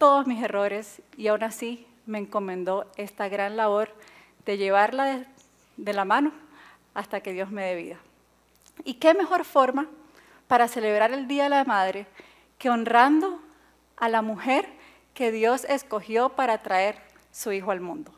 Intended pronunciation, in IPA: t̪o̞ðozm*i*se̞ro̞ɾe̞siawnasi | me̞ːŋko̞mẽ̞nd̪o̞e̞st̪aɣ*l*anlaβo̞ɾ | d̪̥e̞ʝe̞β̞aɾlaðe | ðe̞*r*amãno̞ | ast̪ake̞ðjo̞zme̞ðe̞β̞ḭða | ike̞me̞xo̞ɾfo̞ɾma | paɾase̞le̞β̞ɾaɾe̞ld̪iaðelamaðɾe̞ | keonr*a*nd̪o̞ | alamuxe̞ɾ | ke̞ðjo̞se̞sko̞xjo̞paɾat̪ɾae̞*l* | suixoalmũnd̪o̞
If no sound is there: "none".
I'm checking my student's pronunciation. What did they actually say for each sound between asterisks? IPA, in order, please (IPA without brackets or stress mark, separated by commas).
i, ɾ, l, a, ɾ